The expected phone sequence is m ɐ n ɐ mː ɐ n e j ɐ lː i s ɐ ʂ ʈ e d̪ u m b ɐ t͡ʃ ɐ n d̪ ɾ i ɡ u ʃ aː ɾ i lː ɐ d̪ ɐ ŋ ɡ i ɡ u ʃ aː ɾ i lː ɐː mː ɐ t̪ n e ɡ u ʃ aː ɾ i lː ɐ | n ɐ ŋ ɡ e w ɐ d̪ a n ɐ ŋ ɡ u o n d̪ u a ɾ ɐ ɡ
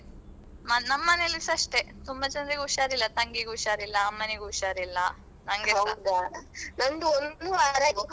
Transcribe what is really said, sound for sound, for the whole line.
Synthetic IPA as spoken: m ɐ n ɐ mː ɐ n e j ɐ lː i s ɐ ʂ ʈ e t̪ u m b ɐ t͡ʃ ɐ n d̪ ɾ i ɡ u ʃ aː ɾ i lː ɐ t̪ ɐ ŋ ɡ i ɡ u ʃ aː ɾ i lː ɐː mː ɐ n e ɡ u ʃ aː ɾ i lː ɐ | n ɐ ŋ ɡ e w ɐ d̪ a n ɐ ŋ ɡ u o n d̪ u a ɾ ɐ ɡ